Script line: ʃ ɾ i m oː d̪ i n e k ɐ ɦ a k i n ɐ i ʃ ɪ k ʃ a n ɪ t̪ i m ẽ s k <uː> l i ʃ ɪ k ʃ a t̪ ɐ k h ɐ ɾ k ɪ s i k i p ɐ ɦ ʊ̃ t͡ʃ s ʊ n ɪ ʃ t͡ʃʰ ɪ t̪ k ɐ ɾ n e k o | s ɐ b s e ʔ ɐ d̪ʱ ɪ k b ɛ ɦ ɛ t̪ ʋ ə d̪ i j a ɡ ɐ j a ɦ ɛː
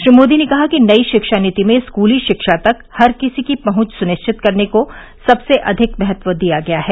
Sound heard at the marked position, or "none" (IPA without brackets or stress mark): uː